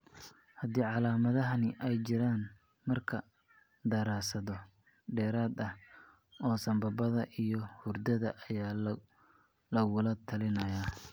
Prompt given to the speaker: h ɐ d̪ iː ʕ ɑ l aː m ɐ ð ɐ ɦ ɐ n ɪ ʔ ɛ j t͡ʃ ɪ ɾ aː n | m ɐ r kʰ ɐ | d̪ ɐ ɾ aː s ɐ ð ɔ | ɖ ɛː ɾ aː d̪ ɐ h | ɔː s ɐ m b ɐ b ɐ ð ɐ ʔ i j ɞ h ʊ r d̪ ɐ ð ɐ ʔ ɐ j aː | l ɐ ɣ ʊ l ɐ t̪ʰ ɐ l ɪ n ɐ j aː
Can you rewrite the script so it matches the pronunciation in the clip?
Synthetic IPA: h ɐ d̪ iː ʕ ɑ l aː m ɐ ð ɐ ɦ ɐ n ɪ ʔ ɛ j t͡ʃ ɪ ɾ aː n | m ɐ r kʰ ɐ | d̪ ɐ ɾ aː s ɐ ð ɔ | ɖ ɛː ɾ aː d̪ ɐ h | ɔː s ɐ m b ɐ b ɐ ð ɐ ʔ i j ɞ h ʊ r d̪ ɐ ð ɐ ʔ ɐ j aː | l ɐ ɣ ʊ l ɐ t̪ʰ ɐ l ɪ n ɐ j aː